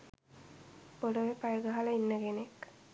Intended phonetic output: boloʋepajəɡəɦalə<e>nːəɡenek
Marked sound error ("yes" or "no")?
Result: yes